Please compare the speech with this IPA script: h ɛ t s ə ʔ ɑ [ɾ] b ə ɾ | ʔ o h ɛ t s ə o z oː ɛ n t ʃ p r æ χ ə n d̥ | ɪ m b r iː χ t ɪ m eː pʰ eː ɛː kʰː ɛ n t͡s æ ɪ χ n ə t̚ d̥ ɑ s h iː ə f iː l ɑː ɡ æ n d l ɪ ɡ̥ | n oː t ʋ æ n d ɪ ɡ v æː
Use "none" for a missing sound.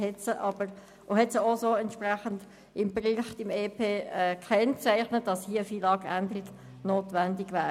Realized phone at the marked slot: none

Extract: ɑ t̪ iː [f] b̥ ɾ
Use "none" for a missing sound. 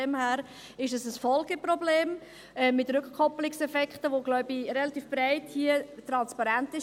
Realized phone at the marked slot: f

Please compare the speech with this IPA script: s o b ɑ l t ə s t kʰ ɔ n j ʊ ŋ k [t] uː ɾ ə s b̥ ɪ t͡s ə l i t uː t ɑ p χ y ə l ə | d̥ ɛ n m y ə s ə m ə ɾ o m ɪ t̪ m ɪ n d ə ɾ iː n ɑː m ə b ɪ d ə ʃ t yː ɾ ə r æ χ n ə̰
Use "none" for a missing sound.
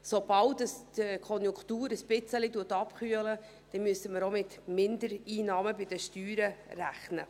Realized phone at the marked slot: t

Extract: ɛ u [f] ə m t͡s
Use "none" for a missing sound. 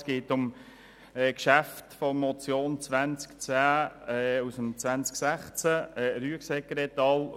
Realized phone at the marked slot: s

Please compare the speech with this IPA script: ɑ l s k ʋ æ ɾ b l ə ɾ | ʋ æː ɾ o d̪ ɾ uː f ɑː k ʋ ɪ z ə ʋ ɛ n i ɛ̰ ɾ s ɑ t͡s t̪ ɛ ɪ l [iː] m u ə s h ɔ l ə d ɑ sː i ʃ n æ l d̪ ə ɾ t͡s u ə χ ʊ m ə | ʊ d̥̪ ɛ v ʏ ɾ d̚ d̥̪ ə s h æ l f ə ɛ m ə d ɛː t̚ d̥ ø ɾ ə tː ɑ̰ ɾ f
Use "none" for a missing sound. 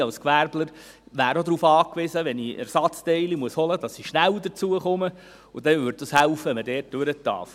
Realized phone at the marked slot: i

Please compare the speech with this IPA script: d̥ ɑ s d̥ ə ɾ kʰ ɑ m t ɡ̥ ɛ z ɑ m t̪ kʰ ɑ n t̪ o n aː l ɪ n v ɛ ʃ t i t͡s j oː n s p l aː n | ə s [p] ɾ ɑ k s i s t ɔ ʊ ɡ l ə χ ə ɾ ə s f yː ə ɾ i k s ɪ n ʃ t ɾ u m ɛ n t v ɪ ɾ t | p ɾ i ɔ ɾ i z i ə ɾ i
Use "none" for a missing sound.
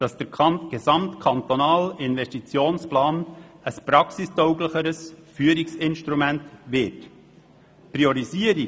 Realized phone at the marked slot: p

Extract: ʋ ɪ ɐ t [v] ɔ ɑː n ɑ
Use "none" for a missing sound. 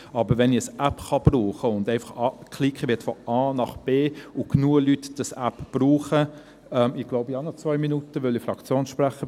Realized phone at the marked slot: f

